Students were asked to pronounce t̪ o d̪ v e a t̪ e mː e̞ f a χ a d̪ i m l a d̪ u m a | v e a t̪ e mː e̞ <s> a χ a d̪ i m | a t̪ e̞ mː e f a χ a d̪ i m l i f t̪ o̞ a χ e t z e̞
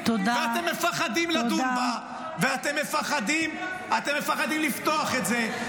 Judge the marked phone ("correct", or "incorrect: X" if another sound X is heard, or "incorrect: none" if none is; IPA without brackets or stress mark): incorrect: f